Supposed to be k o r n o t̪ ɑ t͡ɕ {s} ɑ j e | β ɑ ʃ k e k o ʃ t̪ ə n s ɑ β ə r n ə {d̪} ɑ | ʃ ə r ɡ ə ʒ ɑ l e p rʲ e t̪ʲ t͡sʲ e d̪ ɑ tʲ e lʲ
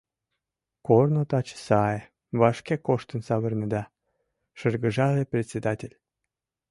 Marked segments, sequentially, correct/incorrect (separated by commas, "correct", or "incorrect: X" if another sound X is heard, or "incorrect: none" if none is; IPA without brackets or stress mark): correct, correct